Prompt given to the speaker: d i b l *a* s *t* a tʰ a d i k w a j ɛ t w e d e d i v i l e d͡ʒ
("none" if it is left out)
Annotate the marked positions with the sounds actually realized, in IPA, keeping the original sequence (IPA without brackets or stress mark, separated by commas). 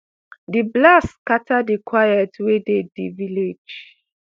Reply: a, k